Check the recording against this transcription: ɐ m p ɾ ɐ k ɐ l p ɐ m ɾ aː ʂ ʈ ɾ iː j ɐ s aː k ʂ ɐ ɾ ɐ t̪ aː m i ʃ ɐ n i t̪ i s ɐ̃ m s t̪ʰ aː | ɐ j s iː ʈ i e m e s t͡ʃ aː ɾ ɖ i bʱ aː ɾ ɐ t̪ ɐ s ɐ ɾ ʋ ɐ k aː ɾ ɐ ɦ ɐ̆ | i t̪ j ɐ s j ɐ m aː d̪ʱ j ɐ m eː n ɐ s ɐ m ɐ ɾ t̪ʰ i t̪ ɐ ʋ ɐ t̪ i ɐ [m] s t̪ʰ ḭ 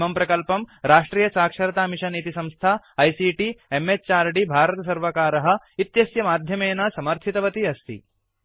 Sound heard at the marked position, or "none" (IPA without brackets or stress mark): none